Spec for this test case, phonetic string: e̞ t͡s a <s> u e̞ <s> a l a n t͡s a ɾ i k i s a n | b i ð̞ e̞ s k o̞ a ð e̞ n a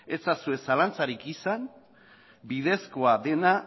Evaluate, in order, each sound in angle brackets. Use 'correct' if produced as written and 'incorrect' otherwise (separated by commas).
correct, correct